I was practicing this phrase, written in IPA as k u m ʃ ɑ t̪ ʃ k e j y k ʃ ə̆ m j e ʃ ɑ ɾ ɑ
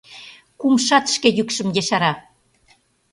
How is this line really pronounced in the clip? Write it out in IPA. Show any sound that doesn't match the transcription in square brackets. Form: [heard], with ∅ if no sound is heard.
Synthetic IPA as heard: k u m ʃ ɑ t̪ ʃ k e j y k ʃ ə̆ m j e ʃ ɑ ɾ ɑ

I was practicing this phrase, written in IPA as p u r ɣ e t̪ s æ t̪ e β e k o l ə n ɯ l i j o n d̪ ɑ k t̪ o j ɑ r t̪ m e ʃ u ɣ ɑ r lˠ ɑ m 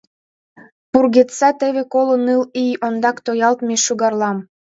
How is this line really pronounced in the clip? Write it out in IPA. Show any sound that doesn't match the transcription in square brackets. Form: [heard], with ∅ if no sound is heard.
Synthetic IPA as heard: p u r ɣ e t̪ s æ t̪ e β e k o l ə n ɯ l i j o n d̪ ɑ k t̪ o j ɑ [l] t̪ m e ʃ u ɣ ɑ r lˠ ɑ m

